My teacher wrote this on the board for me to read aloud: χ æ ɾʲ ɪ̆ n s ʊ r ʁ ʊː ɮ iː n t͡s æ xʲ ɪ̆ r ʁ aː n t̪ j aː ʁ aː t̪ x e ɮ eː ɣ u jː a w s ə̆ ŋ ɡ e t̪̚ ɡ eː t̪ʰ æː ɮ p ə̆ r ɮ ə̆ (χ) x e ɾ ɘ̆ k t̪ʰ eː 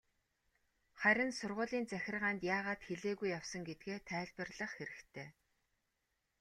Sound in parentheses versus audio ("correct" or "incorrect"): correct